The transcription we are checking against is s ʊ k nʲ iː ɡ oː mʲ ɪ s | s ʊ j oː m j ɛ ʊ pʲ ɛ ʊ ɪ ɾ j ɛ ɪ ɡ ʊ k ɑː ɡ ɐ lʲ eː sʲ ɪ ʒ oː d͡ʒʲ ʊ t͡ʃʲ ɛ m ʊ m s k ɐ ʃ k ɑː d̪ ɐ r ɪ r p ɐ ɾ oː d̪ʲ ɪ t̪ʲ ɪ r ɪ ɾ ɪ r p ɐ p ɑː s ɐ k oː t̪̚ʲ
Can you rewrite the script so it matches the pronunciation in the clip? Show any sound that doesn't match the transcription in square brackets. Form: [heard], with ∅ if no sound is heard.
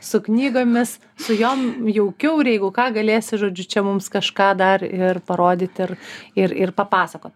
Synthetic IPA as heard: s ʊ k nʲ iː ɡ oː mʲ ɪ s | s ʊ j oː m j ɛ ʊ [kʲ] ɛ ʊ ɪ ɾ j ɛ ɪ ɡ ʊ k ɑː ɡ ɐ lʲ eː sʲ ɪ ʒ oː d͡ʒʲ ʊ t͡ʃʲ ɛ m ʊ m s k ɐ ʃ k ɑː d̪ ɐ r ɪ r p ɐ ɾ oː d̪ʲ ɪ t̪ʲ ɪ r ɪ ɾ ɪ r p ɐ p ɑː s ɐ k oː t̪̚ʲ

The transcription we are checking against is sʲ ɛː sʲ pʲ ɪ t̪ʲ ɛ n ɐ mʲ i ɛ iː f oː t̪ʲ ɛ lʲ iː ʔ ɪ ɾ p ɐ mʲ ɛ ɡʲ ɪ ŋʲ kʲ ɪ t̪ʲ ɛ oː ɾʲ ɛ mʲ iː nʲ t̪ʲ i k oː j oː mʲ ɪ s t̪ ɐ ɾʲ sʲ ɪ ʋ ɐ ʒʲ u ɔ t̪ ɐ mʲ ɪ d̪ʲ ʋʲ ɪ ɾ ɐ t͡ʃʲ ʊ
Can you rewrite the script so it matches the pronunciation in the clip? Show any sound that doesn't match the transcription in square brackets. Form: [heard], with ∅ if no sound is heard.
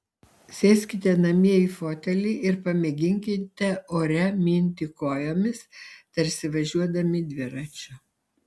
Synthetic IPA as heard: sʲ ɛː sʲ [kʲ] ɪ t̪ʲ ɛ n ɐ mʲ i ɛ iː f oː t̪ʲ ɛ lʲ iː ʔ ɪ ɾ p ɐ mʲ ɛ ɡʲ ɪ ŋʲ kʲ ɪ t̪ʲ ɛ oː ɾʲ ɛ mʲ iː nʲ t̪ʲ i k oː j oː mʲ ɪ s t̪ ɐ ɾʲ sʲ ɪ ʋ ɐ ʒʲ u ɔ [d̪] ɐ mʲ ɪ d̪ʲ ʋʲ ɪ ɾ ɐ t͡ʃʲ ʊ

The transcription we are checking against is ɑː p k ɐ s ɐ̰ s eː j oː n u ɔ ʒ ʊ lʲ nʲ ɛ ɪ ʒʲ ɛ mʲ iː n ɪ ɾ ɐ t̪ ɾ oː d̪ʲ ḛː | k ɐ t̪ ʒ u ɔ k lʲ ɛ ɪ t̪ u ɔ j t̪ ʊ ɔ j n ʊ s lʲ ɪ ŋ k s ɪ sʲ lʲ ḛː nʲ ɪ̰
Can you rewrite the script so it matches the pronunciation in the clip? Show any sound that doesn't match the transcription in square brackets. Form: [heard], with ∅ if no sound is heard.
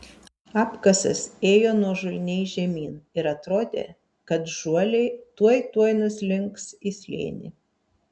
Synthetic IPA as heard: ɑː p k ɐ s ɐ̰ s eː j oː n u ɔ ʒ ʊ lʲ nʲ ɛ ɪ ʒʲ ɛ mʲ iː n ɪ ɾ ɐ t̪ ɾ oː d̪ʲ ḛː | k ɐ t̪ ʒ u ɔ [∅] lʲ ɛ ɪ t̪ u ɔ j t̪ [u] ɔ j n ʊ s lʲ ɪ ŋ k s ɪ sʲ lʲ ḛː nʲ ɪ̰

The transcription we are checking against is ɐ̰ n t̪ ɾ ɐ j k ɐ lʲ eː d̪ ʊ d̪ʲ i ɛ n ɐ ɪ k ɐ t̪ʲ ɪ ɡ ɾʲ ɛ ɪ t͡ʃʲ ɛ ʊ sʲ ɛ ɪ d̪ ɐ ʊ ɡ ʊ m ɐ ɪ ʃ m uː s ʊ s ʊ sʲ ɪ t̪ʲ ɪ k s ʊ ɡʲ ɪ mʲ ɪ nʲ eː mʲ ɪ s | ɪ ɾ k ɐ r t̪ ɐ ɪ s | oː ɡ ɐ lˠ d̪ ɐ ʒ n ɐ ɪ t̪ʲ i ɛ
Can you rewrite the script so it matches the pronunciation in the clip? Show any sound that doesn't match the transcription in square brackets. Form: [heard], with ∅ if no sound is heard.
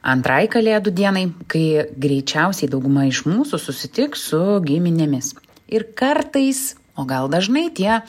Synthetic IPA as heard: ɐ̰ n t̪ ɾ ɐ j k ɐ lʲ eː d̪ ʊ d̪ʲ i ɛ n ɐ ɪ k ɐ [∅] ɪ ɡ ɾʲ ɛ ɪ t͡ʃʲ ɛ ʊ sʲ ɛ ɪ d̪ ɐ ʊ ɡ ʊ m ɐ ɪ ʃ m uː s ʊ s ʊ sʲ ɪ t̪ʲ ɪ k s ʊ ɡʲ ɪ mʲ ɪ nʲ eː mʲ ɪ s | ɪ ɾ k ɐ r t̪ ɐ ɪ s | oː ɡ ɐ lˠ d̪ ɐ ʒ n ɐ ɪ t̪ʲ i ɛ

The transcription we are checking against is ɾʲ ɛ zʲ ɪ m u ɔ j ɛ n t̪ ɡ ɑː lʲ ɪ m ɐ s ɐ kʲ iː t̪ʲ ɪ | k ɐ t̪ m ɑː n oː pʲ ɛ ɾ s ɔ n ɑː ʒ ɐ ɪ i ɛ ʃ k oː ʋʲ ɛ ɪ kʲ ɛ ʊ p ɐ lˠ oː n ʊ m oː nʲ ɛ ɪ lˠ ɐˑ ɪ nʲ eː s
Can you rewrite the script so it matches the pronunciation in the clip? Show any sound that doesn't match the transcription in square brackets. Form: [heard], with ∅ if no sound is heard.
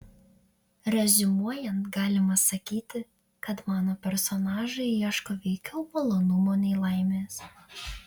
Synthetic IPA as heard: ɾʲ ɛ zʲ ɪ m u ɔ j ɛ n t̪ ɡ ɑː lʲ ɪ m ɐ s ɐ kʲ iː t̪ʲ ɪ | k ɐ t̪ m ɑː n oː pʲ ɛ ɾ s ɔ n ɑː ʒ ɐ ɪ i ɛ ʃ k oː ʋʲ ɛ ɪ kʲ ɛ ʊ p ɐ lˠ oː n ʊ m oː nʲ ɛ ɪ lˠ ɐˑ ɪ [mʲ] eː s

